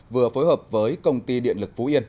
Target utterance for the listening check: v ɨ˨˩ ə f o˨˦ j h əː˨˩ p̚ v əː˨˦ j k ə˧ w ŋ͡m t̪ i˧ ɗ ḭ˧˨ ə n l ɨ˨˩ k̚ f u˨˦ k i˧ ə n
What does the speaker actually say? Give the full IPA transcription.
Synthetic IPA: v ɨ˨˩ ə f o˨˦ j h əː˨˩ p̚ v əː˨˦ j k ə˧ w ŋ͡m t̪ i˧ ɗ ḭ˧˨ ə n l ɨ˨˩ k̚ f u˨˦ ʔ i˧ ə n